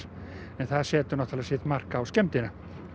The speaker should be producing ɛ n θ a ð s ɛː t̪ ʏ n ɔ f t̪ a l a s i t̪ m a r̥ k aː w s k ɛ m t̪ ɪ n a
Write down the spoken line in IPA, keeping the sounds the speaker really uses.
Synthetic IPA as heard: ɛ n θ a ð s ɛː t̪ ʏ n ɔ h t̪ a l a s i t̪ m a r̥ k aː w s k ɛ m t̪ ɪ n a